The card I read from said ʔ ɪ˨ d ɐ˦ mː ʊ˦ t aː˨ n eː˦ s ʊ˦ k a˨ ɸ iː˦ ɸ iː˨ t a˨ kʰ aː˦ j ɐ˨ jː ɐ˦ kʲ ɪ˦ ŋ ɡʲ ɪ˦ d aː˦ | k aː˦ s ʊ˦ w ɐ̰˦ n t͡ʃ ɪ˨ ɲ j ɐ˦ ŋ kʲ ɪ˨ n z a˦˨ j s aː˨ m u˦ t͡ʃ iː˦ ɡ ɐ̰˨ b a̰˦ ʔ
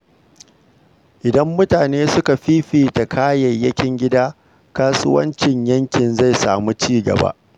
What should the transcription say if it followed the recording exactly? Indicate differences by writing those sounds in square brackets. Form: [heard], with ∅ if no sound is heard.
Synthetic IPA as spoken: ʔ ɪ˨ d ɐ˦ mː ʊ˦ t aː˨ n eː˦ s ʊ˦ k a˨ ɸ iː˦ ɸ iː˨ t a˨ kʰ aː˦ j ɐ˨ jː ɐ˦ kʲ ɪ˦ ŋ ɡʲ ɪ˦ d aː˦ | k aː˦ s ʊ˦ w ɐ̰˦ n t͡ʃ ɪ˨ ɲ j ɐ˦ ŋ kʲ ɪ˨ n z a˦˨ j s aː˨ m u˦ t͡ʃ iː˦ ɡ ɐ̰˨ b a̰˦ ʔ